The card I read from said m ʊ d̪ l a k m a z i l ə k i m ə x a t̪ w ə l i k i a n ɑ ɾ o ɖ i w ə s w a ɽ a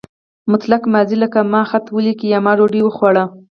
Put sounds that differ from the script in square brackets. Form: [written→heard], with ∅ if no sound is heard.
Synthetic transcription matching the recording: m ʊ [d̪→t̪] l a k m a z i l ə k [i→a] m [ə→ɑ] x a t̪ w ə l i k i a [n→m] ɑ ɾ o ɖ i w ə [s→x] w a ɽ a